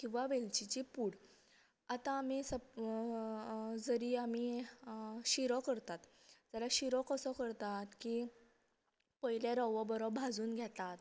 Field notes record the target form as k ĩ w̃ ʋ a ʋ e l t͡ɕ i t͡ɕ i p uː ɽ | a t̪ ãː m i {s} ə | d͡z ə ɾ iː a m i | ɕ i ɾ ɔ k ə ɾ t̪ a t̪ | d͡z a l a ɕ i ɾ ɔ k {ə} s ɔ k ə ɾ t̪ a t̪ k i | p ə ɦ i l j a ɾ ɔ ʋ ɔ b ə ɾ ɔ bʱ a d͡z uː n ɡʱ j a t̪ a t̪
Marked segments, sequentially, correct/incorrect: correct, correct

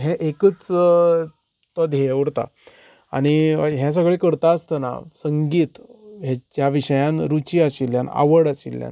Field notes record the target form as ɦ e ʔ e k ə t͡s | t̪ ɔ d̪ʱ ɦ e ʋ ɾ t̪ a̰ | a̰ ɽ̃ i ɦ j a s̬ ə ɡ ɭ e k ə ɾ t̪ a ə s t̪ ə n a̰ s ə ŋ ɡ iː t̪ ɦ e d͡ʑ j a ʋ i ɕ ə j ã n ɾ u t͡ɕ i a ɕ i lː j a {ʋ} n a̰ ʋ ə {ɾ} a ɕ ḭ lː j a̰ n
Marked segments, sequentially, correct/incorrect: incorrect, incorrect

